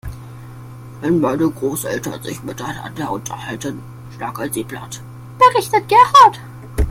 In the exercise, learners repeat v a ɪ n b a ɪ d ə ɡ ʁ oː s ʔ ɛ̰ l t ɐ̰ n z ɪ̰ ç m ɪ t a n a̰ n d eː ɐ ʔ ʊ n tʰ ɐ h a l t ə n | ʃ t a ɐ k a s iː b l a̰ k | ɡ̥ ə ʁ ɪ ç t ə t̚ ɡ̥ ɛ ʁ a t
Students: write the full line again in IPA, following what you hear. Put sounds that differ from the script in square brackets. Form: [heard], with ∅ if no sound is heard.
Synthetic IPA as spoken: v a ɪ n b a ɪ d ə ɡ ʁ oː s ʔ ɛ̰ l t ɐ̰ n z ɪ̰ ç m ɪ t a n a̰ n d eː ɐ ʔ ʊ n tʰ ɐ h a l t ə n | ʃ t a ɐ k a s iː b l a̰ [t] | [b̥] ə ʁ ɪ ç t ə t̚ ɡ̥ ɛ ʁ a t

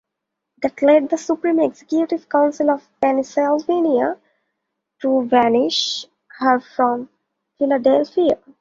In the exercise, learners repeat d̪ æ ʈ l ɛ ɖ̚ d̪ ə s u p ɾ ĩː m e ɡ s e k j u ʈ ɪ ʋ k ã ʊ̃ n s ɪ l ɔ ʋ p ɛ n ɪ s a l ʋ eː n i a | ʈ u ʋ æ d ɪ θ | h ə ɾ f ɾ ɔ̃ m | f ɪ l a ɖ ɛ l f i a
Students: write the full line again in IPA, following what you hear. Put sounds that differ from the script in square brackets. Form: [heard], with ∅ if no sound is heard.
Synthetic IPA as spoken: d̪ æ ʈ l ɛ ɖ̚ d̪ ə s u p ɾ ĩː m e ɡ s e k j u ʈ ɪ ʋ k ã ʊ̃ n s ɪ l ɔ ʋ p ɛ n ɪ s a l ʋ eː n i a | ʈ u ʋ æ [n] ɪ [ʃ] | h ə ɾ f ɾ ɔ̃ m | f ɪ l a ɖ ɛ l f i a

